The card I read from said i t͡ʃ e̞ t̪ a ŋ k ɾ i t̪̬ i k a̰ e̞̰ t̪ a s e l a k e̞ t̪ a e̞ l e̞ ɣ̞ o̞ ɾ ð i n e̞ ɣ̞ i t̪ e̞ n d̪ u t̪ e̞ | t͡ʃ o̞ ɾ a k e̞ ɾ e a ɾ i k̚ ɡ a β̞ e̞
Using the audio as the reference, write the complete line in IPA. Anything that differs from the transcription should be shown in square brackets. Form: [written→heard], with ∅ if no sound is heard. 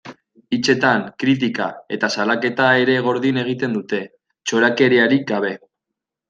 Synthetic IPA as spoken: i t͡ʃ e̞ t̪ a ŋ k ɾ i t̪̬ i k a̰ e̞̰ t̪ a s [e→a] l a k e̞ t̪ a e̞ [l→ɾ] e̞ ɣ̞ o̞ ɾ ð i n e̞ ɣ̞ i t̪ e̞ n d̪ u t̪ e̞ | t͡ʃ o̞ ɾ a k e̞ ɾ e a ɾ i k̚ ɡ a β̞ e̞